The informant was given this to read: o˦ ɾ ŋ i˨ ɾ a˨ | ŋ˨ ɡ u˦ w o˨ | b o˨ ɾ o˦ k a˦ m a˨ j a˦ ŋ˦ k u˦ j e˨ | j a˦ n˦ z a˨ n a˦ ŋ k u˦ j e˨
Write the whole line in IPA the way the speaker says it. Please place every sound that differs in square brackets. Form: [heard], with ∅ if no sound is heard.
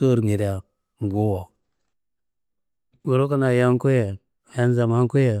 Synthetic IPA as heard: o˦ ɾ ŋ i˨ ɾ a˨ | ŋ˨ ɡ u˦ w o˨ | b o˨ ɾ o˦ k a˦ [n] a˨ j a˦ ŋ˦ k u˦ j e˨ | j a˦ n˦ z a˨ [m] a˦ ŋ k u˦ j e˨